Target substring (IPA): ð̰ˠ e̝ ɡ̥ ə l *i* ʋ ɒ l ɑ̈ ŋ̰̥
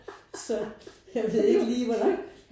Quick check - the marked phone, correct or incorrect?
incorrect